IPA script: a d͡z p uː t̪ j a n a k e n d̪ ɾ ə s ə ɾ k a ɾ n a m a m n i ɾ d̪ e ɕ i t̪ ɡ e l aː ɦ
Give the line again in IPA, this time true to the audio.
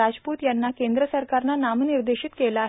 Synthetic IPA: a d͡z p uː t̪ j a nː a k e n d̪ ɾ ə s ə ɾ k a ɾ n a n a m n i ɾ d̪ e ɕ i t̪ k e l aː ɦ